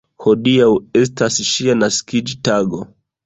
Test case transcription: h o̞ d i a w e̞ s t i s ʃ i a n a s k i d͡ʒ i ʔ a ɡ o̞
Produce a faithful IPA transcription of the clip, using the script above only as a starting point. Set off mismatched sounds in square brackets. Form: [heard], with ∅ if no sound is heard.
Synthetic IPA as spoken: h o̞ d i a w e̞ s t [a] s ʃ i a n a s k i d͡ʒ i [t] a ɡ o̞